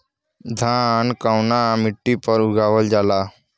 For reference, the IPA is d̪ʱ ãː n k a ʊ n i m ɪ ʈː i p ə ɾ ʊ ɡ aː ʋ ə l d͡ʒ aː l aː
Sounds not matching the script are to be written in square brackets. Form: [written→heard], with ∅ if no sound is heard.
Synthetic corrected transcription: d̪ʱ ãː n k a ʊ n [i→a] m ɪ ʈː i p ə ɾ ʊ ɡ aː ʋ ə l d͡ʒ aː l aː